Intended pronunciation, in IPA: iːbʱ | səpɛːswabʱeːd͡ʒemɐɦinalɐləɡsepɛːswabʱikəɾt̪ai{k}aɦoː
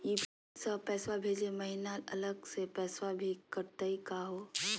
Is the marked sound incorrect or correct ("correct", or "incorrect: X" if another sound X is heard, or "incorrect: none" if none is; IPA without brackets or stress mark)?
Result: correct